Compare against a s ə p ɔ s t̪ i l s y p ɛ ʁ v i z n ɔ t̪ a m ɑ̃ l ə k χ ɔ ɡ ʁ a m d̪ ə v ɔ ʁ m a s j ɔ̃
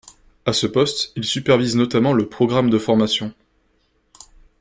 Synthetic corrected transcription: a s ə p ɔ s t̪ i l s y p ɛ ʁ v i z n ɔ t̪ a m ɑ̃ l ə p χ ɔ ɡ ʁ a m d̪ ə f ɔ ʁ m a s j ɔ̃